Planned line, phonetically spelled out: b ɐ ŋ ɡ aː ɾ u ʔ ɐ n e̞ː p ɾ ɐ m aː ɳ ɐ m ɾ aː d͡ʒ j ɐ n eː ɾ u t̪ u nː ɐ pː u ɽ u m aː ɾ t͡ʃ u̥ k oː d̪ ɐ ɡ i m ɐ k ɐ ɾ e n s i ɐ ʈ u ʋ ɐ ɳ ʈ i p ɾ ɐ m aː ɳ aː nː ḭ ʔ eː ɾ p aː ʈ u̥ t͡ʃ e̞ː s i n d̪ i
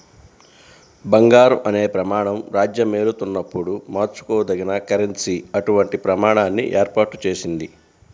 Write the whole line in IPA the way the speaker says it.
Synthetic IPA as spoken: b ɐ ŋ ɡ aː ɾ u ʔ ɐ n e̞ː p ɾ ɐ m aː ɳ ɐ m ɾ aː d͡ʒ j ɐ m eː ɾ u t̪ u nː ɐ pː u ɽ u m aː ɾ t͡ʃ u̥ k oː d̪ ɐ ɡ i n ɐ k ɐ ɾ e n s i ɐ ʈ u ʋ ɐ ɳ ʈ i p ɾ ɐ m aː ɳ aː nː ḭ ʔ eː ɾ p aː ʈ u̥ t͡ʃ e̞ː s i n d̪ i

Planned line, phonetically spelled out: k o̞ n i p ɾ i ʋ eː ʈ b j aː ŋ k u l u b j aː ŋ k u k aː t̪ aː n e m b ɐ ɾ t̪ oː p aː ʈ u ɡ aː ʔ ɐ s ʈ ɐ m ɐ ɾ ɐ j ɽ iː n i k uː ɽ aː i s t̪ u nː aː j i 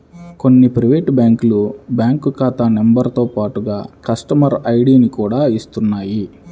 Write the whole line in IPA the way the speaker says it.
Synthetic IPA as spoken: k o̞ nː i p ɾ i ʋ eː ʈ b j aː ŋ k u l u b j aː ŋ k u k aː t̪ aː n e m b ɐ ɾ t̪ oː p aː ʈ u ɡ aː k ɐ s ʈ ɐ m ɐ ɾ ɐ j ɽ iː n i k uː ɽ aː i s t̪ u nː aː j i

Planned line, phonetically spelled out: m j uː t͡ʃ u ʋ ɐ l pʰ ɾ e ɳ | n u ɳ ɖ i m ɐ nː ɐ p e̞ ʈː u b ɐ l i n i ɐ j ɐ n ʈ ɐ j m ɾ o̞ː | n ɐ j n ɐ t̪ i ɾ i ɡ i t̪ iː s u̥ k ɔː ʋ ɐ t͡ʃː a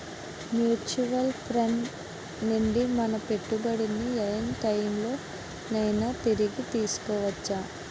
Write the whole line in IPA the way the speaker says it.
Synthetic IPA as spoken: m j uː t͡ʃ u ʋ ɐ l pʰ ɾ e ɳ | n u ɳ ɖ i m ɐ n ɐ p e̞ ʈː u b ɐ ɽ i n i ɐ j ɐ n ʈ ɐ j m l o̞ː | n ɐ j n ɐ t̪ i ɾ i ɡ i t̪ iː s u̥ k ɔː ʋ ɐ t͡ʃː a

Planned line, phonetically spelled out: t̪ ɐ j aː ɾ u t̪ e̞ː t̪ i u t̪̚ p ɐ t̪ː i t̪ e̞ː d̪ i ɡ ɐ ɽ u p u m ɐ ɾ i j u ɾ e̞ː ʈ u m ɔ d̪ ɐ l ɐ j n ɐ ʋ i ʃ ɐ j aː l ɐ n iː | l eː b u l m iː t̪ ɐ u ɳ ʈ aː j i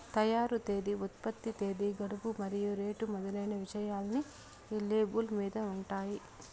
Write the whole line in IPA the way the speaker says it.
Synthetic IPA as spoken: t̪ ɐ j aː ɾ u t̪ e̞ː d̪ i u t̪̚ p ɐ t̪ː i t̪ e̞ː d̪ i ɡ ɐ ɽ u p u m ɐ ɾ i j u ɾ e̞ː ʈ u m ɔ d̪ ɐ l ɐ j n ɐ ʋ i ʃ ɐ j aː l ɐ n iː | l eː b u l m iː d̪ ɐ u ɳ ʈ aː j i

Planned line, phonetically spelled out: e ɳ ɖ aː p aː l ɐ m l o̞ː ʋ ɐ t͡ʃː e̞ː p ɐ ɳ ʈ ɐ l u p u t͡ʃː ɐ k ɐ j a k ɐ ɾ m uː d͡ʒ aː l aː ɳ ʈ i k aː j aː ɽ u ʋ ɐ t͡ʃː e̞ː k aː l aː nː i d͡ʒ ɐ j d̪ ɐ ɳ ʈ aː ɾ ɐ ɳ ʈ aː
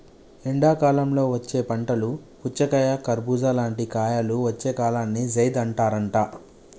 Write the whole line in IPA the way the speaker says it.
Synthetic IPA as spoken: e ɳ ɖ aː k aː l ɐ m l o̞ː ʋ ɐ t͡ʃː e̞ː p ɐ ɳ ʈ ɐ l u p u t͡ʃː ɐ k ɐ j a k ɐ ɾ b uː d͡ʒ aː l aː ɳ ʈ i k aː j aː l u ʋ ɐ t͡ʃː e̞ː k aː l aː nː i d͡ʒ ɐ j d̪ ɐ ɳ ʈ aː ɾ ɐ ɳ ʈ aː

